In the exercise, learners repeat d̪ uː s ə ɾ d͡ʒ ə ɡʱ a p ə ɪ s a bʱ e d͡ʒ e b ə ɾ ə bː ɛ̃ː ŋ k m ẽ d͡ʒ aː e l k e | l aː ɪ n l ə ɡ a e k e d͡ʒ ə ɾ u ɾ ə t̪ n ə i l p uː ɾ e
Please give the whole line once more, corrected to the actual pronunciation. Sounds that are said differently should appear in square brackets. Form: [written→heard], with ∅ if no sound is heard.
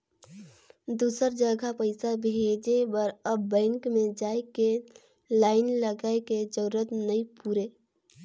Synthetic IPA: d̪ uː s ə ɾ d͡ʒ ə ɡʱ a p ə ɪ s a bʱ e d͡ʒ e b ə ɾ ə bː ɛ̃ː ŋ k m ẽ d͡ʒ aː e [l→∅] k e | l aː ɪ n l ə ɡ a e k e d͡ʒ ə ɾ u ɾ ə t̪ n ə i [l→∅] p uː ɾ e